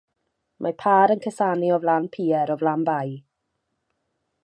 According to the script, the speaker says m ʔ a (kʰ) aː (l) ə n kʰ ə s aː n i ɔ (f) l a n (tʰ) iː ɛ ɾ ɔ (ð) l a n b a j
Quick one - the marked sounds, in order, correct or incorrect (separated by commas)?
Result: incorrect, incorrect, incorrect, incorrect, incorrect